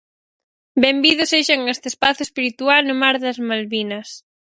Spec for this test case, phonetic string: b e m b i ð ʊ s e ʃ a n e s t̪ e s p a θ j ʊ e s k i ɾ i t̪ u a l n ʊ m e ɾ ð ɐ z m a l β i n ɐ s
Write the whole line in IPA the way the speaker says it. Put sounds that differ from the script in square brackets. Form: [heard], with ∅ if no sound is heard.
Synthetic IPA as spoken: b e m b i ð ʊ s e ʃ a [ŋ] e s t̪ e s p a θ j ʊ e s [p] i ɾ i t̪ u a l n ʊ m [a] ɾ ð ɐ z m a l β i n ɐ s